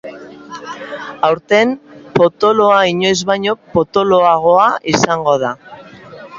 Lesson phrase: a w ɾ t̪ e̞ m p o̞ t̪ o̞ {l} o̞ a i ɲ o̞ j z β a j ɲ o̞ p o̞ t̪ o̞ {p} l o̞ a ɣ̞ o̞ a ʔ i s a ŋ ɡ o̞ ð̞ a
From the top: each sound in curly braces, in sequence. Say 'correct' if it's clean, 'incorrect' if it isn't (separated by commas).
correct, incorrect